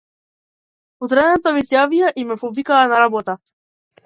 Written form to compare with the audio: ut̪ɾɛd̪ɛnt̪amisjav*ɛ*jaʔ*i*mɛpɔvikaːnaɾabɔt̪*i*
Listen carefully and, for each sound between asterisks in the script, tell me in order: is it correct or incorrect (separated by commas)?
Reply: incorrect, correct, incorrect